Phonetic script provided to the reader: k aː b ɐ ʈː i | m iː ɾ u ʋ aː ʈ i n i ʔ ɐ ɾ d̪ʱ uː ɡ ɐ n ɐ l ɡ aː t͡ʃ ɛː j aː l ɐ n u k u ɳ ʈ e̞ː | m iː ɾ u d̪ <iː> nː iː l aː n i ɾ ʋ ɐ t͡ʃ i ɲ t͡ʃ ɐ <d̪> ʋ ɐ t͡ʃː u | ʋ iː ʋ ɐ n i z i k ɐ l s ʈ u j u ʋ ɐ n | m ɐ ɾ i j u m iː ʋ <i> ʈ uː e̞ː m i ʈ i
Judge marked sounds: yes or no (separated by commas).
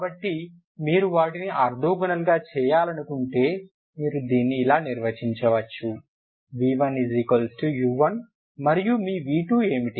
yes, no, no